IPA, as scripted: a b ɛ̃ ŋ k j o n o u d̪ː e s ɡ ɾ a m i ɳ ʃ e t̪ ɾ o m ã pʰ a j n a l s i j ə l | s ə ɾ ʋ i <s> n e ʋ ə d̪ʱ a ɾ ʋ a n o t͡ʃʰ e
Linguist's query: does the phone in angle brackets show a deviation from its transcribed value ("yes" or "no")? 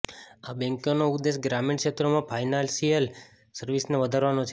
no